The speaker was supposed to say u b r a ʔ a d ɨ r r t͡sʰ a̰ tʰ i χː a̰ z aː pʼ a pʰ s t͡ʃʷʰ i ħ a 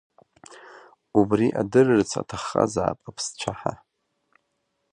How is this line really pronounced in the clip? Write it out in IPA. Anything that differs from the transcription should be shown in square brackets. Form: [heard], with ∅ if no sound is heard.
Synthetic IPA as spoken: u b r [i] ʔ a d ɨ r r t͡sʰ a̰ tʰ [a] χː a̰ z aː pʼ a pʰ s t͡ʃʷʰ [a] ħ a